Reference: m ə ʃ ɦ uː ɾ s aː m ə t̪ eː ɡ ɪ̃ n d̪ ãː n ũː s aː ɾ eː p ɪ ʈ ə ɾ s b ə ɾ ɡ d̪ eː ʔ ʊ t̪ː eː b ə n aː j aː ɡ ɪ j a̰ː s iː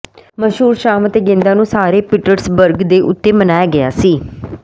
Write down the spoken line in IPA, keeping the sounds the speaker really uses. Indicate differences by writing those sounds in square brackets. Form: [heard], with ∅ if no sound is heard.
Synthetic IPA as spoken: m ə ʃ ɦ uː ɾ [ʃ] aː m ə t̪ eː ɡ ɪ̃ n d̪ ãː n ũː s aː ɾ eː p ɪ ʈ ə ɾ s b ə ɾ ɡ d̪ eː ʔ ʊ t̪ː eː [m] ə n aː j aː ɡ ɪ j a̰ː s iː